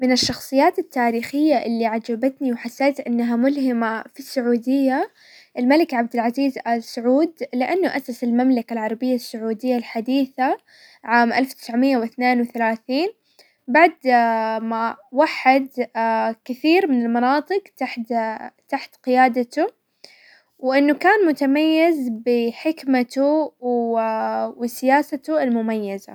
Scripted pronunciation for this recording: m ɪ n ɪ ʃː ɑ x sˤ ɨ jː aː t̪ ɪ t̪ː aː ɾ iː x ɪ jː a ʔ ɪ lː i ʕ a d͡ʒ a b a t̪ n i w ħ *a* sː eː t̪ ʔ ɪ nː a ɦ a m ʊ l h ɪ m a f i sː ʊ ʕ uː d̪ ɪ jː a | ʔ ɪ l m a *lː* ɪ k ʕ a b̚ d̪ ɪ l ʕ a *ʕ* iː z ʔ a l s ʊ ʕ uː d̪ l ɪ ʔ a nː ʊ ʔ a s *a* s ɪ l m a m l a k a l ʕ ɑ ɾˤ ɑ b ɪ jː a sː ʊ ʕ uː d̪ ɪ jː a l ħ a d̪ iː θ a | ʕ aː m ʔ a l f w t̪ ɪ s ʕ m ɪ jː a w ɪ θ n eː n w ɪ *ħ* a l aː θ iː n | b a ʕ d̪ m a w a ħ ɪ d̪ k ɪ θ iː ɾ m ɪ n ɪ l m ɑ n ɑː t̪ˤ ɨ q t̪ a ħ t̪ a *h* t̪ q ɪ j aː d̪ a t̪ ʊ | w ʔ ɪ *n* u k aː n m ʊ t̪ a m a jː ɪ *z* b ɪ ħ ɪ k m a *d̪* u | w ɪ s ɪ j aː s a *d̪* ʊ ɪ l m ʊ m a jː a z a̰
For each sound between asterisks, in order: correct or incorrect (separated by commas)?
correct, incorrect, incorrect, correct, incorrect, incorrect, incorrect, correct, incorrect, incorrect